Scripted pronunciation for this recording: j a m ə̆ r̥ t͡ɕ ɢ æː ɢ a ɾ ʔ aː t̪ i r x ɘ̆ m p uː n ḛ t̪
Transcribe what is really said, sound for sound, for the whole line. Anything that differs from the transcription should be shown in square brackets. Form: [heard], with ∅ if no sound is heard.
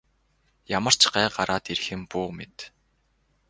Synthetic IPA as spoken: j a m ə̆ r̥ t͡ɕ ɢ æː ɢ a ɾ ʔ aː t̪ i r x ɘ̆ m p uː [m] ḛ t̪